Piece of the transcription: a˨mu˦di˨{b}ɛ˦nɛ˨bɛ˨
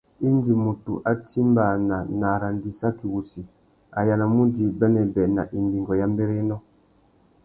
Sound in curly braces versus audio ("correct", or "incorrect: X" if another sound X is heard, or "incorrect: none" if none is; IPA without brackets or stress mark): correct